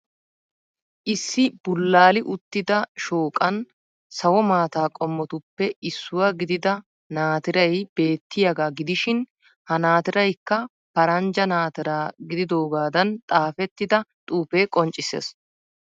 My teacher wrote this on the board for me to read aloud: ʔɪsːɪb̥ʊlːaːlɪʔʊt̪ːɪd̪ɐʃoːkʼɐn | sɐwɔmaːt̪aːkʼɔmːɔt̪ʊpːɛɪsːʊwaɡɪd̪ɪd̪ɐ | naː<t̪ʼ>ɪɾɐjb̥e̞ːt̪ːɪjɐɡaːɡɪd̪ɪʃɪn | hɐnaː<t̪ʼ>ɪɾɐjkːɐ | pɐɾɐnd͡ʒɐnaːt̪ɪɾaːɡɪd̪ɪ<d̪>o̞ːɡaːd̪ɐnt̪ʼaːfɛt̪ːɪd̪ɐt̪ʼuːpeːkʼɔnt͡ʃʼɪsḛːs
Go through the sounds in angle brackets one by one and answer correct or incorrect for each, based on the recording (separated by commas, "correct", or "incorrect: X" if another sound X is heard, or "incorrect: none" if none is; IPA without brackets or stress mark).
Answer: incorrect: t̪, incorrect: t̪, correct